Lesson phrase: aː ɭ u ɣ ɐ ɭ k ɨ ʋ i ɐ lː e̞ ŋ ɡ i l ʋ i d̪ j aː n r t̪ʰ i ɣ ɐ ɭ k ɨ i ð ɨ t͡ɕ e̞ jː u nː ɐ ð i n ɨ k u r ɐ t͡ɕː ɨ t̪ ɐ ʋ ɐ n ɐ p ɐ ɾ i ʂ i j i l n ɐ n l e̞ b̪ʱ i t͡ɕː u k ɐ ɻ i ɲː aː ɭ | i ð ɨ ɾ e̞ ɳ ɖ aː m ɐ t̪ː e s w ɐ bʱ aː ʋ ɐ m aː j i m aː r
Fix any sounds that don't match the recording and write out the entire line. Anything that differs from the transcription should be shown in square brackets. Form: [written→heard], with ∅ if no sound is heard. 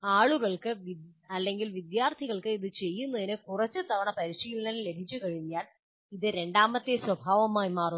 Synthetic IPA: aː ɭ u ɣ ɐ ɭ k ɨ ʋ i ɐ lː e̞ ŋ ɡ i l ʋ i d̪ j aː [n→∅] r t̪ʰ i ɣ ɐ ɭ k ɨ i ð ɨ t͡ɕ e̞ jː u nː ɐ ð i n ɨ k u r ɐ t͡ɕː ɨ t̪ ɐ ʋ ɐ [n→ɳ] ɐ p ɐ ɾ i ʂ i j i l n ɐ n l e̞ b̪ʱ i t͡ɕː u k ɐ ɻ i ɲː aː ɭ | i ð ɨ ɾ e̞ ɳ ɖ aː m ɐ t̪ː e s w ɐ bʱ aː ʋ ɐ m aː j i m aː r